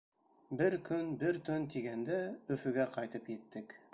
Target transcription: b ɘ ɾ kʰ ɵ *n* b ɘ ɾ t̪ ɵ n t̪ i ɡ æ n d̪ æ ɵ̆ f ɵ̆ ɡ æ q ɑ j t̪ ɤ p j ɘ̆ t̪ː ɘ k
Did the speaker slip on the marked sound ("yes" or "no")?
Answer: no